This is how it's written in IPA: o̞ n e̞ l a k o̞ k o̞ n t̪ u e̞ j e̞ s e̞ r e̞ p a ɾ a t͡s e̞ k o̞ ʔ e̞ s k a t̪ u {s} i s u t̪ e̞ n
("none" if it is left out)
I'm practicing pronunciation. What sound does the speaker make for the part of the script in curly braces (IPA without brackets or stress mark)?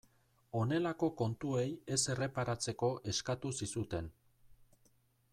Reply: s